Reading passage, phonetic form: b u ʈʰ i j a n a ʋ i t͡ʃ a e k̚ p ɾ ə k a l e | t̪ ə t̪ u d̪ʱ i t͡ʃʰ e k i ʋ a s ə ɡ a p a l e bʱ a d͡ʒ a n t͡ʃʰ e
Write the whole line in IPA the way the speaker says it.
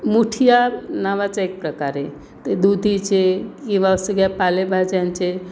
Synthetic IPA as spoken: m u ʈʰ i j a n a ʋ a t͡ʃ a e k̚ p ɾ ə k a ɾ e | t̪ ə d̪ u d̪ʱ i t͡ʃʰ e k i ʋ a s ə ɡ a p a l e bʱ a d͡ʒ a n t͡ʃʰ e